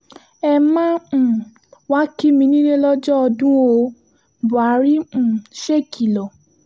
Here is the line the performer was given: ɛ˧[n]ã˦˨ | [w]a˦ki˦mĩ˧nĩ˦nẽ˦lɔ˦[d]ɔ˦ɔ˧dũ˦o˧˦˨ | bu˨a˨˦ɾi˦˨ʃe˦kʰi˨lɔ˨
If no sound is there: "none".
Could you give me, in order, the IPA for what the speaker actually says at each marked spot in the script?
m, w, d͡ʒ

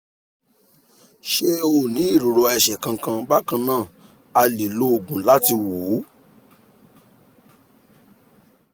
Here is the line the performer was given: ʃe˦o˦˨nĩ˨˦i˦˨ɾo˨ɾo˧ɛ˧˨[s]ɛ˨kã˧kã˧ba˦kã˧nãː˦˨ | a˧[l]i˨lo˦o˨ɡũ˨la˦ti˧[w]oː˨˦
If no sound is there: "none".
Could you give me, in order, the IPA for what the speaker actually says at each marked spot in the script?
ʃ, l, w

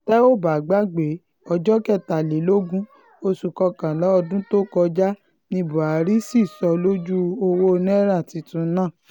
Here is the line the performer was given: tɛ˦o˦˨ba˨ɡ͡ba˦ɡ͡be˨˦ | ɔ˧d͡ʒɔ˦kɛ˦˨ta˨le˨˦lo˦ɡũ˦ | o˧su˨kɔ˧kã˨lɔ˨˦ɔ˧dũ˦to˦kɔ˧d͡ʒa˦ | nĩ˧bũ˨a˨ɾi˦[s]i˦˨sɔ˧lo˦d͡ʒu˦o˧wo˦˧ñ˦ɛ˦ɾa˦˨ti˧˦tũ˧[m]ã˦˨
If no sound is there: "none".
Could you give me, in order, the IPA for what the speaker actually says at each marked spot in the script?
s, n

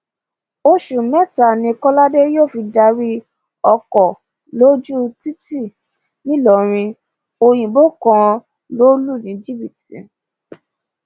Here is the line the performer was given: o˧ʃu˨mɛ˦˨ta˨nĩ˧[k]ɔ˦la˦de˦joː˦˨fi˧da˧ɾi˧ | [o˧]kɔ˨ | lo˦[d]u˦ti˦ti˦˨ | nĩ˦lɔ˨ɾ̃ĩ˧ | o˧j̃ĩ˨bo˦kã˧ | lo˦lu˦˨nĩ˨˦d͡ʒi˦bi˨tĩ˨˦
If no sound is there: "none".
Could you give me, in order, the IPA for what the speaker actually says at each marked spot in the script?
k, ɔ˧, d͡ʒ

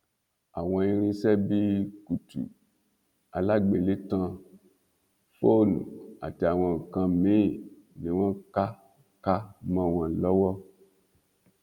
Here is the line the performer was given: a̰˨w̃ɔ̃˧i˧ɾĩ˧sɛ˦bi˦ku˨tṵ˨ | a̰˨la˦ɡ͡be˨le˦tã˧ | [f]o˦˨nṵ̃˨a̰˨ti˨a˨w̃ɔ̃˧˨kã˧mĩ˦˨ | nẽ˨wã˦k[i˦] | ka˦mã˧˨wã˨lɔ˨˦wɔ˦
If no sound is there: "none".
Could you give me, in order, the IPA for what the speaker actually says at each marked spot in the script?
f, a˦

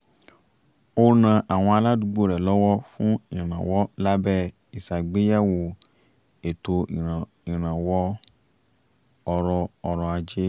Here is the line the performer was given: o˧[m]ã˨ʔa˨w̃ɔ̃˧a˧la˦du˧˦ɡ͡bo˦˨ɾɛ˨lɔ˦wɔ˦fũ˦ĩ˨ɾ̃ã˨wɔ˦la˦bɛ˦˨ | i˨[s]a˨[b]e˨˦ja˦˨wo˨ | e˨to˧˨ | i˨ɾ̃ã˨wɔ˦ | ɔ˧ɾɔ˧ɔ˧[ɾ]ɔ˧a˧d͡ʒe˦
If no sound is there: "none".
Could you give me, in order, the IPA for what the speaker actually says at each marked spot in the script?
n, s, ɡ͡b, ɾ

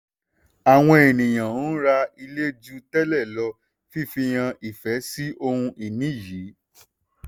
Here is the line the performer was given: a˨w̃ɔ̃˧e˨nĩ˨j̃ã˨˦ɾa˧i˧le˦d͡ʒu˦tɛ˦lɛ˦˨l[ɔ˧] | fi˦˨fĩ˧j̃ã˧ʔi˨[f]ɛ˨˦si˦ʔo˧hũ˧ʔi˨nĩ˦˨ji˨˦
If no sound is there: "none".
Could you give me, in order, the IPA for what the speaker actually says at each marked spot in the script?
ɔ˧, f

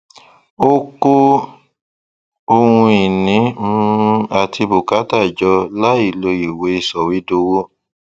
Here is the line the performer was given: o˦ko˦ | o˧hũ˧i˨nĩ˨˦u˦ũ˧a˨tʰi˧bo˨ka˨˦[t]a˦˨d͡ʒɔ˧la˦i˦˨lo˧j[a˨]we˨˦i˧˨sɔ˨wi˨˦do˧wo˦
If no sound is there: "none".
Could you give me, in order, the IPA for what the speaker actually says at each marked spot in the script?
t, i˨

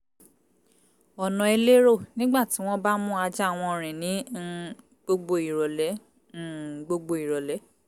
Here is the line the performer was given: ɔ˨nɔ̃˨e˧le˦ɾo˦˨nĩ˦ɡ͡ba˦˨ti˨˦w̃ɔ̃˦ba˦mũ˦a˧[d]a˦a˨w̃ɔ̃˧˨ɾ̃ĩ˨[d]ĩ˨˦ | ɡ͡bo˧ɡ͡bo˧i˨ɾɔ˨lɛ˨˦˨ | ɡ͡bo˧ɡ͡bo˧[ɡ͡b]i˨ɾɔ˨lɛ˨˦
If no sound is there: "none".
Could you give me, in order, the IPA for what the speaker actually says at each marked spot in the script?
d͡ʒ, n, none

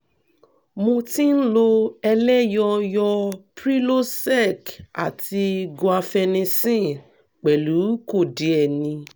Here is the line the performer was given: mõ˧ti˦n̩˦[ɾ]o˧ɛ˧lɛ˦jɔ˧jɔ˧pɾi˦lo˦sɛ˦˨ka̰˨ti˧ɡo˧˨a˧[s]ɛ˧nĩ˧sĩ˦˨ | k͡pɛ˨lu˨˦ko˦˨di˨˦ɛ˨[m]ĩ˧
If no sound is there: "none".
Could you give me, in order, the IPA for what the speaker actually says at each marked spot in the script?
l, f, n

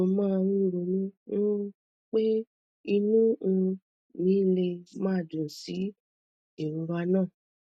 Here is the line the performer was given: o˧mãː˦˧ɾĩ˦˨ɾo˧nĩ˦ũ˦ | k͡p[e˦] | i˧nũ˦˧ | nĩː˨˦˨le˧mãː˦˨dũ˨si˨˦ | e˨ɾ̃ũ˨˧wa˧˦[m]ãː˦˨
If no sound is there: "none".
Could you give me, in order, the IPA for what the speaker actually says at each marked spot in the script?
e˦, n

